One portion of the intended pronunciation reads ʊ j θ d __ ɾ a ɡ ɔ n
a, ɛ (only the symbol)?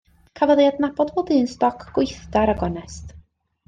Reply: a